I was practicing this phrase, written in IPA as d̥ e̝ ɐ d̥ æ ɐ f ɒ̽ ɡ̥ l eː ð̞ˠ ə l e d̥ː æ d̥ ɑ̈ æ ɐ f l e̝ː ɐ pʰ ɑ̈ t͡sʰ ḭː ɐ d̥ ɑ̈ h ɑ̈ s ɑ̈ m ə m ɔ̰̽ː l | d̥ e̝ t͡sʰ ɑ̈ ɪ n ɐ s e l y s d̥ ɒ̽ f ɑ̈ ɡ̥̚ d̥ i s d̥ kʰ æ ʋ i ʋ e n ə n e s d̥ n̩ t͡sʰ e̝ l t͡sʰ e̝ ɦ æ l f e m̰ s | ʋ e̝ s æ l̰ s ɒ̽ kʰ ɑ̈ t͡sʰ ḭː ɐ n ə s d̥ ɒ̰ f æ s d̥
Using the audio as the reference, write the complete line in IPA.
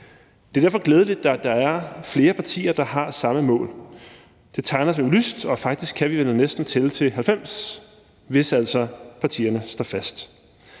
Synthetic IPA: d̥ e̝ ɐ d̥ æ ɐ f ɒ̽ ɡ̥ l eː ð̞ˠ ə l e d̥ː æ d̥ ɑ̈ æ ɐ f l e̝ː ɐ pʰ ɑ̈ t͡sʰ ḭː ɐ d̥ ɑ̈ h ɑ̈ s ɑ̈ m ə m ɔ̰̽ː l | d̥ e̝ t͡sʰ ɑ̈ ɪ n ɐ s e l y s d̥ ɒ̽ f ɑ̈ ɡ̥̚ d̥ i s ɡ̥ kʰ æ ʋ i ʋ e n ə n e s d̥ n̩ t͡sʰ e̝ l t͡sʰ e̝ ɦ æ l f e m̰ s | ʋ e̝ s æ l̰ s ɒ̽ pʰ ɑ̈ t͡sʰ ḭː ɐ n ə s d̥ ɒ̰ f æ s d̥

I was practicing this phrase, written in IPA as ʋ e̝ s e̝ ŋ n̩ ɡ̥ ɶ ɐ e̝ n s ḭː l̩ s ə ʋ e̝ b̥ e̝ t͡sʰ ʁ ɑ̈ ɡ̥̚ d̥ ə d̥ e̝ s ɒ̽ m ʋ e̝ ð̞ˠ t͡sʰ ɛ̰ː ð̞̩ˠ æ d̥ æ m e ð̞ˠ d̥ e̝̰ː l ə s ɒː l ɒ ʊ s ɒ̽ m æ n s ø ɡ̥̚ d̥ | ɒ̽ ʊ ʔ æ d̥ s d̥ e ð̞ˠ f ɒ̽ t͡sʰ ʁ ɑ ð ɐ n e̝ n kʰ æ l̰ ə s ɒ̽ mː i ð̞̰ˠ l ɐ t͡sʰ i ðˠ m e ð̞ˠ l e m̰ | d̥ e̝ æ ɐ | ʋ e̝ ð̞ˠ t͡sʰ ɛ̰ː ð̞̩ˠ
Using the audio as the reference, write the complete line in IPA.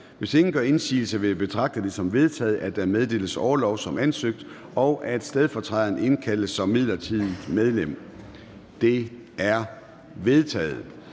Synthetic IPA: ʋ e̝ s e̝ ŋ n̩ ɡ̥ ɶ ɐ e̝ n s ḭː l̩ s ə ʋ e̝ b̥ e̝ t͡sʰ ʁ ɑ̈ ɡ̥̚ d̥ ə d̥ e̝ s ɒ̽ m ʋ e̝ ð̞ˠ t͡sʰ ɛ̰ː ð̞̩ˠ æ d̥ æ m e ð̞ˠ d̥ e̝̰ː l ə s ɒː l ɒ ʊ s ɒ̽ m æ n s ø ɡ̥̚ d̥ | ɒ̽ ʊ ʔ æ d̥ s d̥ e ð̞ˠ f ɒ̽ t͡sʰ ʁ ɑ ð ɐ n e̝ n kʰ æ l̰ ə s ɒ̽ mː i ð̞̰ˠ l ɐ t͡sʰ i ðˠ m e ð̞ˠ l e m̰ | d̥ e̝ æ ɐ | ʋ e̝ ð̞ˠ t͡sʰ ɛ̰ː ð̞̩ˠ

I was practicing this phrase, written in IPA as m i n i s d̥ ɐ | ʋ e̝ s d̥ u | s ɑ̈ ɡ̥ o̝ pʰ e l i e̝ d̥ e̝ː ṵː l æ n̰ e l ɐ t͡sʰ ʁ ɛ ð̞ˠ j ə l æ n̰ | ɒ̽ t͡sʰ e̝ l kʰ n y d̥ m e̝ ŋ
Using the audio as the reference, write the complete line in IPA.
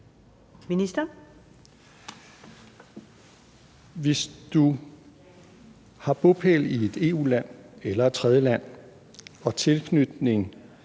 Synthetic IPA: m i n i s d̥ ɐ | ʋ e̝ s d̥ u | h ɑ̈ b̥ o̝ pʰ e l i e̝ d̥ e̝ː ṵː l æ n̰ e l ɐ t͡sʰ ʁ ɛ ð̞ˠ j ə l æ n̰ | ɒ̽ t͡sʰ e̝ l kʰ n y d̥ n e̝ ŋ

